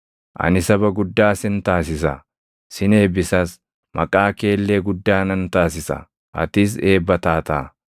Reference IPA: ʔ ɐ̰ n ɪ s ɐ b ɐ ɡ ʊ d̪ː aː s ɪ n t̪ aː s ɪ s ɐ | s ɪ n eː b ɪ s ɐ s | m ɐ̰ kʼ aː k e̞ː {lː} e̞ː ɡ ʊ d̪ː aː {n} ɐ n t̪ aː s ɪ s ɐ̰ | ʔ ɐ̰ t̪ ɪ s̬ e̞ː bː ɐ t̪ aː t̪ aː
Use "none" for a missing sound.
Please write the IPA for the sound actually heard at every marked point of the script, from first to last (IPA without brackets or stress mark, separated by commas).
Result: lː, n